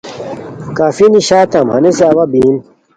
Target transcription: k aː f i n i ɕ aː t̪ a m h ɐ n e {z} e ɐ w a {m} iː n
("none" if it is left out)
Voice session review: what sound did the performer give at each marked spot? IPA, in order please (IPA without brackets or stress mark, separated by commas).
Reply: s, b